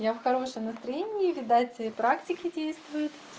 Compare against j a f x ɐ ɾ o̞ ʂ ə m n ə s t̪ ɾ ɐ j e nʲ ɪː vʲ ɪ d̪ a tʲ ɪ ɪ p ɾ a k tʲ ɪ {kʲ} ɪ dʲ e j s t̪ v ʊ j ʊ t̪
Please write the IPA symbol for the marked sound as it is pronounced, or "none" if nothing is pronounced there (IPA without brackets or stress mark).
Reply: kʲ